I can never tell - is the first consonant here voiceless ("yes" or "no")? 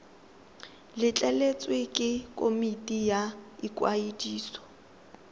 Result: no